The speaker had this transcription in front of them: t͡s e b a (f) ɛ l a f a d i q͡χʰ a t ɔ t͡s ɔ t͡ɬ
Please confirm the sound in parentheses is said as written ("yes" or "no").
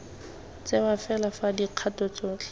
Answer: yes